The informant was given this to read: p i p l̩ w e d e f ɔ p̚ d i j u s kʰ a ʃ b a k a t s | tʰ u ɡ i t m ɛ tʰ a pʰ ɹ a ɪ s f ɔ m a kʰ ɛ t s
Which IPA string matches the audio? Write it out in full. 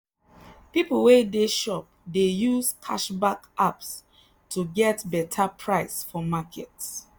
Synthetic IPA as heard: p i p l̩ w e d e ʃ ɔ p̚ d e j u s kʰ a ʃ b a k a p s | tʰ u ɡ ɛ t b ɛ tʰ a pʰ ɹ a ɪ s f ɔ m a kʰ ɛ t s

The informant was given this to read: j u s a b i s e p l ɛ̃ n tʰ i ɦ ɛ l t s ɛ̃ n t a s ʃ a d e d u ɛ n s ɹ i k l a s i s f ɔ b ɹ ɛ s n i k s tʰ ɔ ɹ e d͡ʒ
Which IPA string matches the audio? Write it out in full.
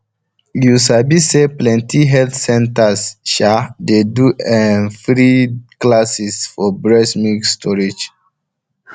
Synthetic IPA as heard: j u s a b i s e p l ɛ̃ n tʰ i ɦ ɛ l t s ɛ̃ n t a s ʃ a d e d u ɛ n f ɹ i k l a s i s f ɔ b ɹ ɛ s m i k s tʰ ɔ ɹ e d͡ʒ

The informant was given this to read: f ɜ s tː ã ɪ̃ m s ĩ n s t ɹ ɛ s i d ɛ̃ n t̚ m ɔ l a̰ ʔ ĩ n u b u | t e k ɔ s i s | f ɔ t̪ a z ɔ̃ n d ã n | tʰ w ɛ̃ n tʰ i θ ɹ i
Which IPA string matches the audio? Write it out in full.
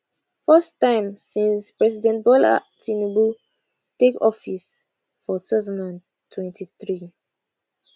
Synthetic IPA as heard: f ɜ s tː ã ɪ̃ m s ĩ n s p ɹ ɛ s i d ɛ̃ n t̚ b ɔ l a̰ t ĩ n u b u | t e k ɔ f i s | f ɔ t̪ a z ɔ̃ n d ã n | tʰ w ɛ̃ n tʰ i θ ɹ i

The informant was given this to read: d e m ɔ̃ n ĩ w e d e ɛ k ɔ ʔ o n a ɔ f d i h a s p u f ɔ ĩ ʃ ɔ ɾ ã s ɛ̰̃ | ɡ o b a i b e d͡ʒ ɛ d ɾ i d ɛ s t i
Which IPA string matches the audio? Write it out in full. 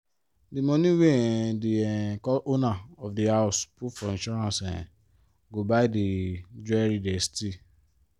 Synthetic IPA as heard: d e m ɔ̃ n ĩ w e d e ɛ k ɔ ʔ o n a ɔ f d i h a s p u f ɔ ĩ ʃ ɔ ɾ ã s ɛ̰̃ | ɡ o b a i d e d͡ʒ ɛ ɾ i d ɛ s t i

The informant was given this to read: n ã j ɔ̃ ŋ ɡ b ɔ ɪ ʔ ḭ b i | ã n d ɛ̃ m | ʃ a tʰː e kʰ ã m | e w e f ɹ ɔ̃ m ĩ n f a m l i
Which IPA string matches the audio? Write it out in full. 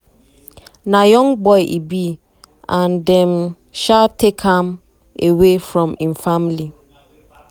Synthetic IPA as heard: n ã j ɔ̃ ŋ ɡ b ɔ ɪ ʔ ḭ b i | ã n d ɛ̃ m | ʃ a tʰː e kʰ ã m | e w e f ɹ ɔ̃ m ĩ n f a m l i

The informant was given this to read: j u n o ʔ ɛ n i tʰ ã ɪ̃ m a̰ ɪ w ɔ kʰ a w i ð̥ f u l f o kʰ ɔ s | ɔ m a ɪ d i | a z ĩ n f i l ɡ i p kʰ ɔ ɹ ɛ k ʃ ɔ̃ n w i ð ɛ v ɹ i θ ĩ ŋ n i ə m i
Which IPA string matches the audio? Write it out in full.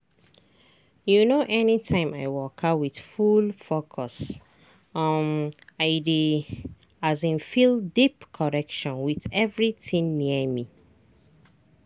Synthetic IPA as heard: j u n o ʔ ɛ n i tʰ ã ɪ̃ m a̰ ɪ w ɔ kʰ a w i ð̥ f u l f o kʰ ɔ s | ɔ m a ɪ d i | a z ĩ n f i l d i p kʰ ɔ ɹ ɛ k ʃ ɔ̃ n w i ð ɛ v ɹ i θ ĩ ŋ n i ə m i

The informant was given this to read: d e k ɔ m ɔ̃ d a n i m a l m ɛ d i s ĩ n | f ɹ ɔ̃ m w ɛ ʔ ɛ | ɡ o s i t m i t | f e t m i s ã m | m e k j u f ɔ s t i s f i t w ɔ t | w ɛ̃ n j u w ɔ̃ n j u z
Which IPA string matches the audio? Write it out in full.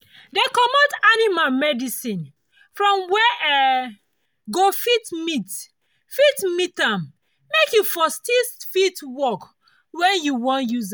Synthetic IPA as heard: d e k ɔ m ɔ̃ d a n i m a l m ɛ d i s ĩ n | f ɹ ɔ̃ m w ɛ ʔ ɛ | ɡ o f i t m i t | f i t m i t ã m | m e k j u f ɔ s t i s f i t w ɔ k | w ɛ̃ n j u w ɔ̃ n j u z

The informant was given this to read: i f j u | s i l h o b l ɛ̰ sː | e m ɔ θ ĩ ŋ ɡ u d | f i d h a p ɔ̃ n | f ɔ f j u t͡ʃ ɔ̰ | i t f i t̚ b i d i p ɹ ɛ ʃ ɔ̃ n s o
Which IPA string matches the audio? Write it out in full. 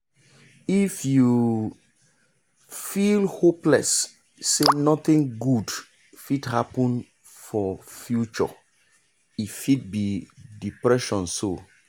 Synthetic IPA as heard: i f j u | f i l h o p l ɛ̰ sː | e n ɔ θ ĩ ŋ ɡ u d | f i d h a p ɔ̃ n | f ɔ f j u t͡ʃ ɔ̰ | i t f i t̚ b i d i p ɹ ɛ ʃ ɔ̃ n s o

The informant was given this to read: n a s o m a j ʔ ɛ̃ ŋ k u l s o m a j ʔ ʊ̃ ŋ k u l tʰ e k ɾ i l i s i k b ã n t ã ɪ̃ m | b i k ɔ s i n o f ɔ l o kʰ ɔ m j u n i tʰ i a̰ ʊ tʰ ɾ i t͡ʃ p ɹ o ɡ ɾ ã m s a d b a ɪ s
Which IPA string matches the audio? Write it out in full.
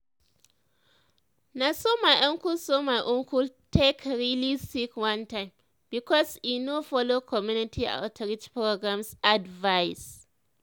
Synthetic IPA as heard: n a s o m a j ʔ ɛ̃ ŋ k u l s o m a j ʔ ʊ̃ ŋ k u l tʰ e k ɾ i l i s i k w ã n t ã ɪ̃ m | b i k ɔ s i n o f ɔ l o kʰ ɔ m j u n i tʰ i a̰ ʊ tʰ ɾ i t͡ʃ p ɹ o ɡ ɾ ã m s a d v a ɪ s

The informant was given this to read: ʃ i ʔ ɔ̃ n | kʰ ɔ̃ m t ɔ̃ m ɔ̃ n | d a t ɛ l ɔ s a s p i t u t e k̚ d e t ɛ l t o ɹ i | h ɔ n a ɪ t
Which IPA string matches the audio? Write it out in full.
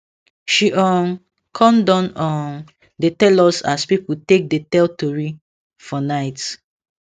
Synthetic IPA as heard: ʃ i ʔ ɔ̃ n | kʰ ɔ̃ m d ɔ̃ n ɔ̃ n | d e t ɛ l ɔ s a s p i p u t e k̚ d e t ɛ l t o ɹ i | f ɔ n a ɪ t

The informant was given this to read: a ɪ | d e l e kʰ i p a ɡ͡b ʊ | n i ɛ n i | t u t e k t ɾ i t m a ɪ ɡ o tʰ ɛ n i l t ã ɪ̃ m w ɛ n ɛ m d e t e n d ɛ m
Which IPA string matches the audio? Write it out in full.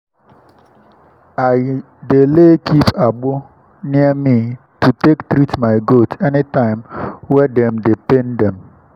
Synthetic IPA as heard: a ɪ | d e l e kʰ i p a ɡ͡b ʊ | n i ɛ m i | t u t e k t ɾ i t m a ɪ ɡ o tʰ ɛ n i t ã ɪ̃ m w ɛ d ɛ m d e p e n d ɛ m

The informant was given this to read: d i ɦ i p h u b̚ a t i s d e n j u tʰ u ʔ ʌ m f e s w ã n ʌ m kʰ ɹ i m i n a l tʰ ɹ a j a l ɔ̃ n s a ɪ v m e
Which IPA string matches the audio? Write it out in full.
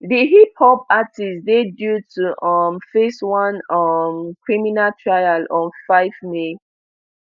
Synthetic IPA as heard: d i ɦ i p h ɔ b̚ a t i s d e d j u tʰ u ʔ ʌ m f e s w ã n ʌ m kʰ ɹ i m i n a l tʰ ɹ a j a l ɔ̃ n f a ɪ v m e

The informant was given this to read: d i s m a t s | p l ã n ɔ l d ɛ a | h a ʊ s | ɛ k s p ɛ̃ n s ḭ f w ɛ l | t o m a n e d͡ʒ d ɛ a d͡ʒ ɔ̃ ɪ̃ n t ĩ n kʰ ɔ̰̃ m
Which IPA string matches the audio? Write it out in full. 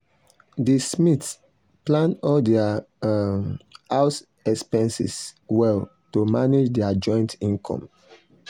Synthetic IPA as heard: d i s m i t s | p l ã n ɔ l d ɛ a | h a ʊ s | ɛ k s p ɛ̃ n s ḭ s w ɛ l | t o m a n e d͡ʒ d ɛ a d͡ʒ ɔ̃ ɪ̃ n t ĩ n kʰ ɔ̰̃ m

